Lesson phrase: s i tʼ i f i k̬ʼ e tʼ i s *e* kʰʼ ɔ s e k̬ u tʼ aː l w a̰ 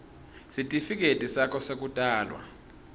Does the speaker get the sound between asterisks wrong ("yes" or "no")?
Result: yes